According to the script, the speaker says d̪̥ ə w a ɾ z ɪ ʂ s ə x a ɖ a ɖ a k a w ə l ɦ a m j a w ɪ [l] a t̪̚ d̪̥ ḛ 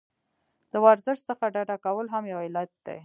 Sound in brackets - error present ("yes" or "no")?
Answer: no